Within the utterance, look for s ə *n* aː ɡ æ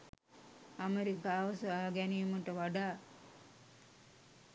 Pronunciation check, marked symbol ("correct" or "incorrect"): incorrect